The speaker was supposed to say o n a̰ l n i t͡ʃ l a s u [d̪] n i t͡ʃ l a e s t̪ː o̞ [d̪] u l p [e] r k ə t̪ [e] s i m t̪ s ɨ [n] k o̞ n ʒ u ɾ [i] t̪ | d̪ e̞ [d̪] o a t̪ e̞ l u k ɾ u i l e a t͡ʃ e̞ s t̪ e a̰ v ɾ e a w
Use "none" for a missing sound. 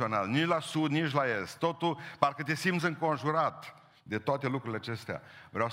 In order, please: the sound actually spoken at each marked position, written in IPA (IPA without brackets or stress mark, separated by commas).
d̪, t̪, a, e, ŋ, a, t̪